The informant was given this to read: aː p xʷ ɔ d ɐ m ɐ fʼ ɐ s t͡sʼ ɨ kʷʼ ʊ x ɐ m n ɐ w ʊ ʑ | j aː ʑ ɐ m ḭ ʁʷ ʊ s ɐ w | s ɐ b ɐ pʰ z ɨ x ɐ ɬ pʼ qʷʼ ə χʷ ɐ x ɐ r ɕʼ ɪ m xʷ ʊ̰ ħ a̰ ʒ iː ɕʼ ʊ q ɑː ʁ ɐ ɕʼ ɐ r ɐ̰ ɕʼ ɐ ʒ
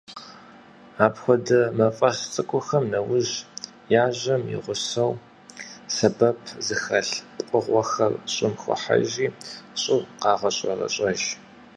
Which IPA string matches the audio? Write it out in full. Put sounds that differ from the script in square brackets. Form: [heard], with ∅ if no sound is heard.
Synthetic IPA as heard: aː p xʷ ɔ d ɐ m ɐ fʼ ɐ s t͡sʼ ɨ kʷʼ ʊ x ɐ m n ɐ w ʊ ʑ | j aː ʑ ɐ m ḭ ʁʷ ʊ s ɐ w | s ɐ b ɐ pʰ z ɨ x ɐ ɬ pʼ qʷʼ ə [ʁʷ] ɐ x ɐ r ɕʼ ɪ m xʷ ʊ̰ ħ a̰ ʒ iː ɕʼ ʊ q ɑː ʁ ɐ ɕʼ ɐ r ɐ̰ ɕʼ ɐ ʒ